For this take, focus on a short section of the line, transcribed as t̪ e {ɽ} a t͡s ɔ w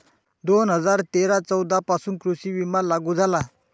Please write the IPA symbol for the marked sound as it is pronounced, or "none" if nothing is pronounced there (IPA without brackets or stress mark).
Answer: ɾ